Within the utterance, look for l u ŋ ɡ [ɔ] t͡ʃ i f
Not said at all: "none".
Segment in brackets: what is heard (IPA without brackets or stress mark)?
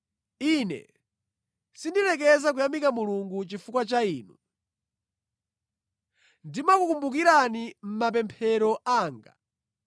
u